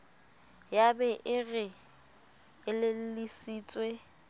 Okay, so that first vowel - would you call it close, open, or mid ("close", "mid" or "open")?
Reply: open